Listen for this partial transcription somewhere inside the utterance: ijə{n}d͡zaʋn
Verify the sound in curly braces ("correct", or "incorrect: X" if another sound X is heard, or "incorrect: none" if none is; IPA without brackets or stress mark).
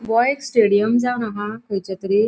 incorrect: m